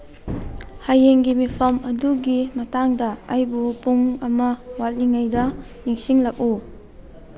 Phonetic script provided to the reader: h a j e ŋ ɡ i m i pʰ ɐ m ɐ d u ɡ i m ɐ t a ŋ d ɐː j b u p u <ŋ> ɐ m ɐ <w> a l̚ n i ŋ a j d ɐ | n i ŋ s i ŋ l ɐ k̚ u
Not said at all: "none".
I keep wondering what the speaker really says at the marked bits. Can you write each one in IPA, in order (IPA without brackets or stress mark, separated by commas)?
ŋ, w